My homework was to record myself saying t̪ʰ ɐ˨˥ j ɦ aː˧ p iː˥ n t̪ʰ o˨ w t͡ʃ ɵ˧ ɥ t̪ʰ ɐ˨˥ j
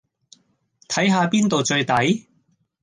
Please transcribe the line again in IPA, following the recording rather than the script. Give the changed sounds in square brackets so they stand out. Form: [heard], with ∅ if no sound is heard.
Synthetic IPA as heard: t̪ʰ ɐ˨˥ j ɦ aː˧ p iː˥ n [t̪] o˨ w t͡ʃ ɵ˧ ɥ [t̪] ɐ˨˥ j